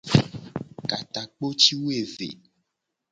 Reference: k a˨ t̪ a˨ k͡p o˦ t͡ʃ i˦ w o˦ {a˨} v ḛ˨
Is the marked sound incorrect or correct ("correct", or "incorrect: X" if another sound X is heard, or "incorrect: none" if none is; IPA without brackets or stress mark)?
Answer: incorrect: e˨